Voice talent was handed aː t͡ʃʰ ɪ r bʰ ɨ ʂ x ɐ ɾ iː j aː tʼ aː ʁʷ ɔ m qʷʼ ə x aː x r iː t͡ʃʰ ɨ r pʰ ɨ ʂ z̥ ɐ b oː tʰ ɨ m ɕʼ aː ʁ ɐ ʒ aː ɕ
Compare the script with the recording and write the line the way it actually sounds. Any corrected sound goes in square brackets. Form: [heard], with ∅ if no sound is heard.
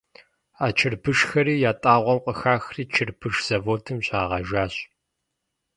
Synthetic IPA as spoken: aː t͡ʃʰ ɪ r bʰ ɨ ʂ x ɐ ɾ iː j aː tʼ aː ʁʷ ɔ m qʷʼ ə x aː x r iː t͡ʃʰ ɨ r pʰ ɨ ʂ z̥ ɐ [v] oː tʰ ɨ m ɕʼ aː ʁ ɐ ʒ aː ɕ